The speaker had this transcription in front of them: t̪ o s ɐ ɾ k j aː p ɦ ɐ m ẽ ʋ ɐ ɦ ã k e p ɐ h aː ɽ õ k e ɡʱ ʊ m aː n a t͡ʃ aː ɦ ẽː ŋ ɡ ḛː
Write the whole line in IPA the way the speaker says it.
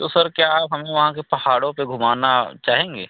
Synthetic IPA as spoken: t̪ o s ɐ ɾ k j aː p ɦ ɐ m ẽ ʋ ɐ ɦ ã k e p ɐ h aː ɽ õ p e ɡʱ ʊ m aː n a t͡ʃ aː ɦ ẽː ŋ ɡ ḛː